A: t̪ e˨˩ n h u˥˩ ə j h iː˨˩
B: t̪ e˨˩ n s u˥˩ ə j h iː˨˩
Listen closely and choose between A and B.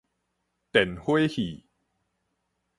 A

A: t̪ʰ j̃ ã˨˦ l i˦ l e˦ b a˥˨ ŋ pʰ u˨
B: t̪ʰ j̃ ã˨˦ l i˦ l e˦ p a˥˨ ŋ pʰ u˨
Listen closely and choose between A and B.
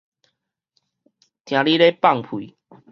B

